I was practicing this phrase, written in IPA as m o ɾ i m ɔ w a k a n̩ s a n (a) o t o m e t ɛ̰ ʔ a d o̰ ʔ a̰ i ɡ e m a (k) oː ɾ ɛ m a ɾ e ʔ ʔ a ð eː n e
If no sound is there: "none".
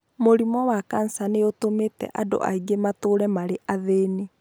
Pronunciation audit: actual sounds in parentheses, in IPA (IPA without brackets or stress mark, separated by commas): e, t